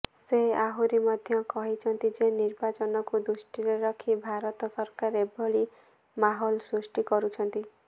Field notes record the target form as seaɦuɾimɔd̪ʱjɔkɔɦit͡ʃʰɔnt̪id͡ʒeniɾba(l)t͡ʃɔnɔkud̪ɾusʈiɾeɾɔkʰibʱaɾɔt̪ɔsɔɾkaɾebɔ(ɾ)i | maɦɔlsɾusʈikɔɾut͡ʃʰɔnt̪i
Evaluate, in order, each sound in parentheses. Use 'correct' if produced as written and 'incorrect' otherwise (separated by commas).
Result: incorrect, incorrect